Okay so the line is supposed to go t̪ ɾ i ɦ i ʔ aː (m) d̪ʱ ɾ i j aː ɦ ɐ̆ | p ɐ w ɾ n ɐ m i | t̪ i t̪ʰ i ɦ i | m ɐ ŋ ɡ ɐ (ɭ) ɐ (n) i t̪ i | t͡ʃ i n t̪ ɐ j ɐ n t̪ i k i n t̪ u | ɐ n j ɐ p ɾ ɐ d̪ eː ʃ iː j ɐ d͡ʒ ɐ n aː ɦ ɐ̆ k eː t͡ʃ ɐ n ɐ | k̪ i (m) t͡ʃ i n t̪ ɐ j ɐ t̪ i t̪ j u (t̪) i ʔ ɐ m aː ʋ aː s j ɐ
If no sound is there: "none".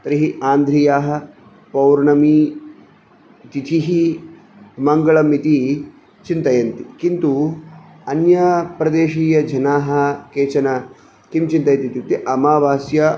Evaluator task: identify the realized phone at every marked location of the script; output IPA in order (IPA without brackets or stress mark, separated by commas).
n, ɭ, m, m, t̪